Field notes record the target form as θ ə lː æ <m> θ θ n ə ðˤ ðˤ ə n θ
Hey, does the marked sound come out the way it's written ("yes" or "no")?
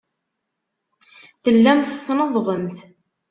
yes